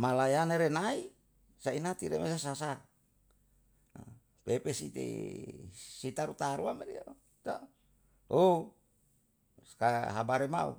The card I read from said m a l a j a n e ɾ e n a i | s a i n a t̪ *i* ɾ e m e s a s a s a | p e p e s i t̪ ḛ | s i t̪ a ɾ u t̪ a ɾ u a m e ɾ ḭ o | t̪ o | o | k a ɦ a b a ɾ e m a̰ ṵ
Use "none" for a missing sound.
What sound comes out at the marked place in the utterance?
i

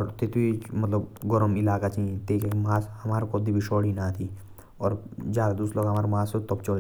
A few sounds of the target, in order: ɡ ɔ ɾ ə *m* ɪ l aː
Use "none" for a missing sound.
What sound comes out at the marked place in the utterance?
m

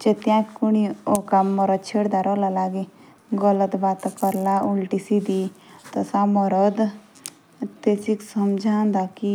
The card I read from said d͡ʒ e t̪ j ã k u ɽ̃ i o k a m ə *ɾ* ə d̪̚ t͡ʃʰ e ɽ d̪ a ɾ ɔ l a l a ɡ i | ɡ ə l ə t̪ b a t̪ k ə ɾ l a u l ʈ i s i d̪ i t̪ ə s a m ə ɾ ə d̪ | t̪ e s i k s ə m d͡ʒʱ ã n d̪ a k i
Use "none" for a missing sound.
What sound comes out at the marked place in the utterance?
ɾ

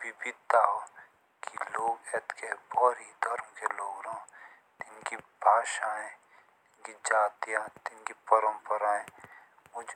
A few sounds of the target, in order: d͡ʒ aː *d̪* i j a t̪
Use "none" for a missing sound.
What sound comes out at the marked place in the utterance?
t̪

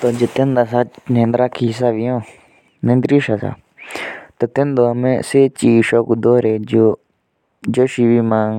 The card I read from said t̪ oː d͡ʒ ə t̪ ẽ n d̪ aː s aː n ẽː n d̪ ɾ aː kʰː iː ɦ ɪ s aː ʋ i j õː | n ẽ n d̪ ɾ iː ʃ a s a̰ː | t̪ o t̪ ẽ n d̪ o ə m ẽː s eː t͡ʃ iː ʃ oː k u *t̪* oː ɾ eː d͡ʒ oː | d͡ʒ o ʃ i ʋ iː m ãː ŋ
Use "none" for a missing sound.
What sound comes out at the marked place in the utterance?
d̪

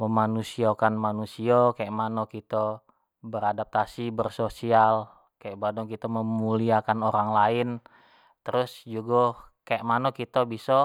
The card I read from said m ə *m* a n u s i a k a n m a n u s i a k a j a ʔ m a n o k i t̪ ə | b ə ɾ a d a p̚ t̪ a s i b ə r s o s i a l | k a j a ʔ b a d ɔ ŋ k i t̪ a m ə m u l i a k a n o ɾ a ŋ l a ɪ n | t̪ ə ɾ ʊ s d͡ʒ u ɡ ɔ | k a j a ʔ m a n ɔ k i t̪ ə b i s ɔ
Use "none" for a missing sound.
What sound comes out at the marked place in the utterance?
m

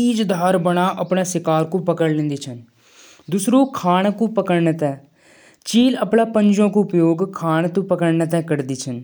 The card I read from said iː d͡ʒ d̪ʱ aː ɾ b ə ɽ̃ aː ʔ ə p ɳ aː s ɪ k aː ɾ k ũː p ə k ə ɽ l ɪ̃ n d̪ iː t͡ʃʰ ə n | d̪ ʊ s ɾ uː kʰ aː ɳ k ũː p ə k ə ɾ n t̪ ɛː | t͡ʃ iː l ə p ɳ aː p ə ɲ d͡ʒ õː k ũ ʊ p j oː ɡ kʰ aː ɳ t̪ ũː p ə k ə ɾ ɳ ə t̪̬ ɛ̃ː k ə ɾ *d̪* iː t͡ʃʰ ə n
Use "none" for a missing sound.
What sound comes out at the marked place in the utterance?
d̪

